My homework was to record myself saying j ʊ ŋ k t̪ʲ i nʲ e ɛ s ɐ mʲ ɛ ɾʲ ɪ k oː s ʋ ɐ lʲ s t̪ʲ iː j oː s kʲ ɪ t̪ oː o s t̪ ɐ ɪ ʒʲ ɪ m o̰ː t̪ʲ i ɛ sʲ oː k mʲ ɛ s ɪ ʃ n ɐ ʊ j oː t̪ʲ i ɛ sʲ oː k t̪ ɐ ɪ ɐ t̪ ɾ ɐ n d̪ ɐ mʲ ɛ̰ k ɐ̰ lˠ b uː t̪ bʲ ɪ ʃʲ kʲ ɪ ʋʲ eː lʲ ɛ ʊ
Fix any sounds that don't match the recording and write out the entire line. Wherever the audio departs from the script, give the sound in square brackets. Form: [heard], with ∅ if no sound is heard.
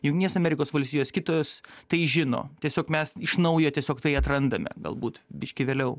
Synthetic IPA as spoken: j ʊ ŋ k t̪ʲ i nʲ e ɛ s ɐ mʲ ɛ ɾʲ ɪ k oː s ʋ ɐ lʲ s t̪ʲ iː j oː s kʲ ɪ t̪ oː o s t̪ ɐ ɪ ʒʲ ɪ [n] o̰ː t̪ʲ i ɛ sʲ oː k mʲ ɛ s ɪ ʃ n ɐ ʊ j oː t̪ʲ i ɛ sʲ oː k t̪ ɐ ɪ ɐ t̪ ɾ ɐ n d̪ ɐ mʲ ɛ̰ [ɡ] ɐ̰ lˠ b uː t̪ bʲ ɪ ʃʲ kʲ ɪ ʋʲ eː lʲ ɛ ʊ